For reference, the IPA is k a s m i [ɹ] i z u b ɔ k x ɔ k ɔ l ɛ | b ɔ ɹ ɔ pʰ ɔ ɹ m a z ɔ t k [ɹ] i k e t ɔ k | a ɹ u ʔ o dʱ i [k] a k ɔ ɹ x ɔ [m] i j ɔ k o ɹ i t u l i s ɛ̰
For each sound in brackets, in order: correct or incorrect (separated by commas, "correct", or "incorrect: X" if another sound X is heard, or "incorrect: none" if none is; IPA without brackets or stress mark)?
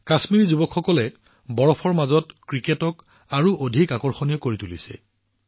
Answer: correct, correct, correct, incorrect: n